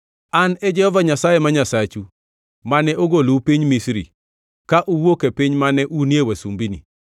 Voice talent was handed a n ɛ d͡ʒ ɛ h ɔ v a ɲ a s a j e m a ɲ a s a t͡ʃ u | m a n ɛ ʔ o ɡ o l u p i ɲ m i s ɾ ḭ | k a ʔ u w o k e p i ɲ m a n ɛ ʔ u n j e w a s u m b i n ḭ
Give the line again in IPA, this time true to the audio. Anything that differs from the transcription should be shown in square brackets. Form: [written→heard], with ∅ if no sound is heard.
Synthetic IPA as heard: a n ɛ d͡ʒ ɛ h ɔ v a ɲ a s a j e m a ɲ a s a t͡ʃ u | m a n ɛ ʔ o ɡ o l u p i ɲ m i s ɾ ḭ | k a ʔ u w o k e p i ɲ m a n ɛ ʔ u n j e w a s u m b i n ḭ